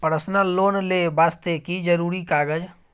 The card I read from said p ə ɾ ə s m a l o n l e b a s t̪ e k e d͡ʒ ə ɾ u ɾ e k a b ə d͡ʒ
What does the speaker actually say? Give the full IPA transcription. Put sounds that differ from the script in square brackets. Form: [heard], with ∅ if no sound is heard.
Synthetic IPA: p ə ɾ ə s [n] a l o n l e b a s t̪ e k [i] d͡ʒ ə ɾ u ɾ [i] k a [ɡ] ə d͡ʒ